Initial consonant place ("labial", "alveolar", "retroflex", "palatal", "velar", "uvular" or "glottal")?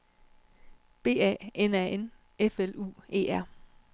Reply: labial